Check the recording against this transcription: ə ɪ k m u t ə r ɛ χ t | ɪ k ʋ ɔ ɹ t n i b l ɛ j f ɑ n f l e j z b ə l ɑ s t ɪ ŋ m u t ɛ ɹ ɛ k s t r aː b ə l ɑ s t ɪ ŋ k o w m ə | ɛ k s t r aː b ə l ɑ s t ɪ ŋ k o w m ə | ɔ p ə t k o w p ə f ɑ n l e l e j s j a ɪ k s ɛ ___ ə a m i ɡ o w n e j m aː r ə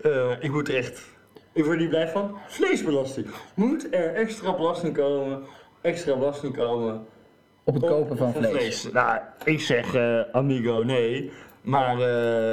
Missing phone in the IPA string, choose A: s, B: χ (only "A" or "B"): B